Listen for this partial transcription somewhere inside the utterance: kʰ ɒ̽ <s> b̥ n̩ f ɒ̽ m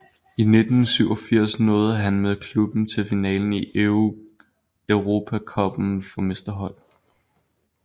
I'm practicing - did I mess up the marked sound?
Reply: yes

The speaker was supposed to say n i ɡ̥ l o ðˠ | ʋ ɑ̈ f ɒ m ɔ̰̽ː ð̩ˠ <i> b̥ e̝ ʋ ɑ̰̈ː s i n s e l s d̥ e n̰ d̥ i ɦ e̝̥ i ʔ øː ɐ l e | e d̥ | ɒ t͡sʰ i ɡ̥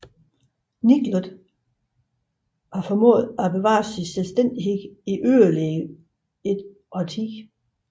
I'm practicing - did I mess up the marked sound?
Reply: yes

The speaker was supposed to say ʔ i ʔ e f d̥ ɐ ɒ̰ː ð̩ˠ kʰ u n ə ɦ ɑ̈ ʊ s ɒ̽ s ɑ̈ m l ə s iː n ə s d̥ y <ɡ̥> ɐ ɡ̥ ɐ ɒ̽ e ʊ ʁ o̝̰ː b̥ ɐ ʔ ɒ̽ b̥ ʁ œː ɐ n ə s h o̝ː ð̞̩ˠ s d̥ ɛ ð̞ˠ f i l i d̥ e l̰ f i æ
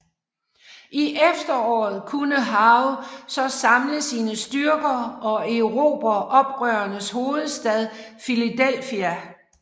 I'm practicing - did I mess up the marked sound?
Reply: yes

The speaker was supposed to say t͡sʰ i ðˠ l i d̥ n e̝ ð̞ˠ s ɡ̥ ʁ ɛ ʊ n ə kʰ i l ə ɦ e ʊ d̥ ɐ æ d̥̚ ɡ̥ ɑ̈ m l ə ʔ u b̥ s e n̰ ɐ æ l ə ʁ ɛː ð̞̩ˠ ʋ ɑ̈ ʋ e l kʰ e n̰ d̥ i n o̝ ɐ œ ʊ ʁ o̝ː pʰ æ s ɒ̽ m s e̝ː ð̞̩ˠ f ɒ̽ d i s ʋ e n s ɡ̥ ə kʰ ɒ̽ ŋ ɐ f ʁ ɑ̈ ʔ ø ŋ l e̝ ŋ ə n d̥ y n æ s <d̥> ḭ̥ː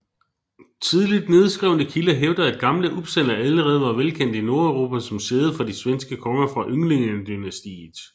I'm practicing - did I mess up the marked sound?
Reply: no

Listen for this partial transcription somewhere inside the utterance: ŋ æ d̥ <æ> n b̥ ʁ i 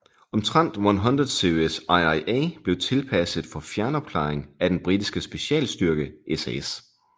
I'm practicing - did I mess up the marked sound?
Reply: yes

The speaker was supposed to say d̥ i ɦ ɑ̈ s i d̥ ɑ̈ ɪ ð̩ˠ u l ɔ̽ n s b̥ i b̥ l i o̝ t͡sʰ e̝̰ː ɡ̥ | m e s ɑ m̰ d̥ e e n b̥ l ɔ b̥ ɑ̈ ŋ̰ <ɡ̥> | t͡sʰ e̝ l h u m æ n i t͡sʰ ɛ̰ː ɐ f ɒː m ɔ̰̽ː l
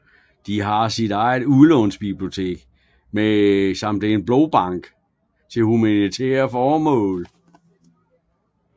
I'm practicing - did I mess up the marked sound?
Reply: no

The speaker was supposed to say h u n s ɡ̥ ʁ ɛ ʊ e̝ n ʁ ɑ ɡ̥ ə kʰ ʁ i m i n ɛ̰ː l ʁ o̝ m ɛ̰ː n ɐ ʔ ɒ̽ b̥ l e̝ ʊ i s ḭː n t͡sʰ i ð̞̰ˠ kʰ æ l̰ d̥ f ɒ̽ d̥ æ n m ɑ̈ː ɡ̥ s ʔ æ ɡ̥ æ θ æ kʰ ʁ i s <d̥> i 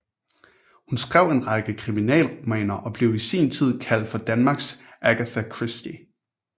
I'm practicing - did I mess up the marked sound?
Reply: no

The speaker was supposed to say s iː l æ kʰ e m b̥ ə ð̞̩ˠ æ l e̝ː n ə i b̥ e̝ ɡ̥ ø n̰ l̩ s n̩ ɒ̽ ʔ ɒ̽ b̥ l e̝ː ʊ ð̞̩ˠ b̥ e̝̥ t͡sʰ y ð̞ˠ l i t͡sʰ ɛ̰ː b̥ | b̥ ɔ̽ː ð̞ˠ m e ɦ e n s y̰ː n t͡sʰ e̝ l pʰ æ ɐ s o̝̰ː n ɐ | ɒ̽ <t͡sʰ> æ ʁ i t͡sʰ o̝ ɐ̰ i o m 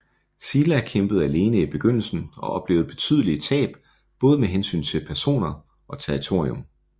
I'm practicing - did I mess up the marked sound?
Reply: no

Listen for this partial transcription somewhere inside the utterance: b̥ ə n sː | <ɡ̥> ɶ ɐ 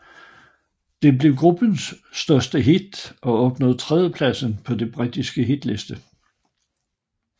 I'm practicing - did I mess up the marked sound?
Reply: yes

